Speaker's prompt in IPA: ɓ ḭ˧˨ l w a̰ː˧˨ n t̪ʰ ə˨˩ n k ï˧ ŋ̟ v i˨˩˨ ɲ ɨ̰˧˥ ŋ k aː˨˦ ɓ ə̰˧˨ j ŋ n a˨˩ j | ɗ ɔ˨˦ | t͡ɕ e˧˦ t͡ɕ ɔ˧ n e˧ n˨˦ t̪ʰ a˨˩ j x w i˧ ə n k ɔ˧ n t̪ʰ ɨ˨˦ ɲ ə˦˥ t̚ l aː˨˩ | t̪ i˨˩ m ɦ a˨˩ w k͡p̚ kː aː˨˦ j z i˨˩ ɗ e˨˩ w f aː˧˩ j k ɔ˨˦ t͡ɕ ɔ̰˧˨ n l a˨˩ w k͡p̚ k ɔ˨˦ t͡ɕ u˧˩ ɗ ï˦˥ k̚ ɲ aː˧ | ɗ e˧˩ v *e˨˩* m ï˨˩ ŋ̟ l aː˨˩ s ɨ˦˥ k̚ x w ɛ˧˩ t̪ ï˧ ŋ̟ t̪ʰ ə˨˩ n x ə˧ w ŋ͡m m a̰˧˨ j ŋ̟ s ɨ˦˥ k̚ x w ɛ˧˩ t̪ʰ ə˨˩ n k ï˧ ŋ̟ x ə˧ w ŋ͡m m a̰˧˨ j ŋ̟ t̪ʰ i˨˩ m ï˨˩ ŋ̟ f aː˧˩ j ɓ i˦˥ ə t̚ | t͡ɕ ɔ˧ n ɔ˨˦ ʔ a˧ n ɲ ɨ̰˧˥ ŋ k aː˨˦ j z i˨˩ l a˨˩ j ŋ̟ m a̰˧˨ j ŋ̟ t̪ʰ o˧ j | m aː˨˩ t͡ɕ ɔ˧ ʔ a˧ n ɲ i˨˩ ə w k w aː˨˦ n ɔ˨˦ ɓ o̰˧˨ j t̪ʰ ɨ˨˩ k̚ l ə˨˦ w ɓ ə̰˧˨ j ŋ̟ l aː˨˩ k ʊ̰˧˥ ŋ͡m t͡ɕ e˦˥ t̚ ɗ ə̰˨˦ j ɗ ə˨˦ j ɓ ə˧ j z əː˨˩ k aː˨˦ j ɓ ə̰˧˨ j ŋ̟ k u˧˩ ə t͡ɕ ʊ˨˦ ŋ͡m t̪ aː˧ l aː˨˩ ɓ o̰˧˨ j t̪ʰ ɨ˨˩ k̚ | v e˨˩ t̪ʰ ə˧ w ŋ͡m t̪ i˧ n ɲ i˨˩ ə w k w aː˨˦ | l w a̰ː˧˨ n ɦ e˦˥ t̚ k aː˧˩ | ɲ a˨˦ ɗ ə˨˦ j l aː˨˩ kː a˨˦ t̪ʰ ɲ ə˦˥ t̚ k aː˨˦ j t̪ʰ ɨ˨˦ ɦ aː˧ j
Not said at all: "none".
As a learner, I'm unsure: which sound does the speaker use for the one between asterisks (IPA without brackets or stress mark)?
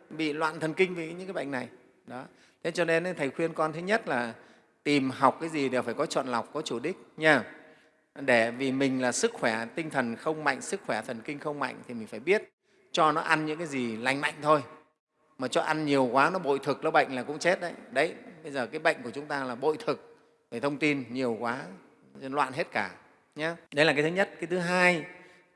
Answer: i˨˩